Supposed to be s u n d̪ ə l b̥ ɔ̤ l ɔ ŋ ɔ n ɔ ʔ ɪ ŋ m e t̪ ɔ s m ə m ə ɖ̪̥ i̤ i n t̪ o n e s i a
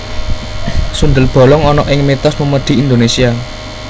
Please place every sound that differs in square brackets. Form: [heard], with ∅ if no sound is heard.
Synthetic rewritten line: s u n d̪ ə l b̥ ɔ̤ l ɔ ŋ ɔ n ɔ ʔ ɪ ŋ m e t̪ ɔ s m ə m ə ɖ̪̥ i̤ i n [d̪] o n e s i a